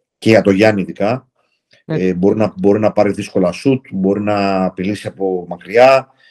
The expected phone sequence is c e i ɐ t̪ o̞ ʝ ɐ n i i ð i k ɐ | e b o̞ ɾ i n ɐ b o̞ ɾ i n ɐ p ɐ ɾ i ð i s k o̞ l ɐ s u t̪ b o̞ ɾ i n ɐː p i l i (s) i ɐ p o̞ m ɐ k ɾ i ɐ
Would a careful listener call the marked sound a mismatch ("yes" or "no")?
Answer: no